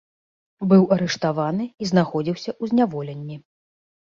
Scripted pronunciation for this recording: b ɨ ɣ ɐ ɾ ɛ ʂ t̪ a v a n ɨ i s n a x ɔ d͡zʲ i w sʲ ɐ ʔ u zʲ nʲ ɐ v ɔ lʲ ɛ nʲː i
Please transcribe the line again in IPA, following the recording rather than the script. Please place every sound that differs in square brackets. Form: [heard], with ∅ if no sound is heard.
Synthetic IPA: b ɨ [w] ɐ ɾ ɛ ʂ t̪ a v a n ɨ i [z] n a x ɔ d͡zʲ i w sʲ ɐ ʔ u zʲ nʲ [a] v ɔ lʲ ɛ nʲː i